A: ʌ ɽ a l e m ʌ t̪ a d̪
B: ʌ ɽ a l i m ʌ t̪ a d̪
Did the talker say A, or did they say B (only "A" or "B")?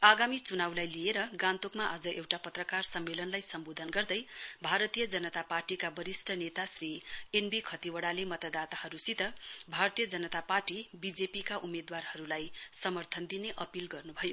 A